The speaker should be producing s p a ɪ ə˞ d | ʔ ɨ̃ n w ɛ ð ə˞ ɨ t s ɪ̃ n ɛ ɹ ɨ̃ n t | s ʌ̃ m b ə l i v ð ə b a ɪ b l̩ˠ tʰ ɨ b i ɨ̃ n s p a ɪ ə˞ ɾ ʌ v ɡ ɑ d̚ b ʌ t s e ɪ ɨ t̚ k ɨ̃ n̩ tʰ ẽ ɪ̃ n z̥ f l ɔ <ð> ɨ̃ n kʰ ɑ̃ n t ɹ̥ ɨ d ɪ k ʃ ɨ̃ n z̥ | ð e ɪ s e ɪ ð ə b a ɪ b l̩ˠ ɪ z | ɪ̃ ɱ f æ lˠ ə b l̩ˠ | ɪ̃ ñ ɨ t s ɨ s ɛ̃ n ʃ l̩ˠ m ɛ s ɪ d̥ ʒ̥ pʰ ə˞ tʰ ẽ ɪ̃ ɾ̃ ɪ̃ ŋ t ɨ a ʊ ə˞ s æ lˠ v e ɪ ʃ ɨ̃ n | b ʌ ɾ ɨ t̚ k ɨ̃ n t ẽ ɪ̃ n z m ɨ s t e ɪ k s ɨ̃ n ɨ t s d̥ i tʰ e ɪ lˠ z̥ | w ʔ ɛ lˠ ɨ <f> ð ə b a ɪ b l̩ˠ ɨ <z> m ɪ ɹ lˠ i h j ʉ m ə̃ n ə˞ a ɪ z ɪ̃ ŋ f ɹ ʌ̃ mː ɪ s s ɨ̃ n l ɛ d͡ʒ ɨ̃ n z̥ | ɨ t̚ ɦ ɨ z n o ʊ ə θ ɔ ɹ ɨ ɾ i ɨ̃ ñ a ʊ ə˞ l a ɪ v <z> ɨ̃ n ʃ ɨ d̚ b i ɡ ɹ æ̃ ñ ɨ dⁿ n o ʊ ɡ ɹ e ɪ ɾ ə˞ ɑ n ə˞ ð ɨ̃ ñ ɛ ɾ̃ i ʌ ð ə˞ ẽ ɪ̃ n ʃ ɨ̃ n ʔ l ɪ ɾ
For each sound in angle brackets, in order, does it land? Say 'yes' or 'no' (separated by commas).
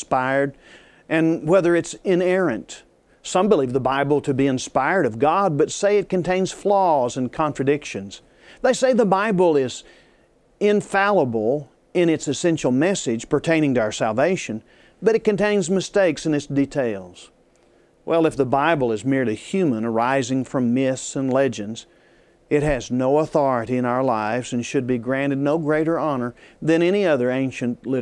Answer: no, yes, yes, yes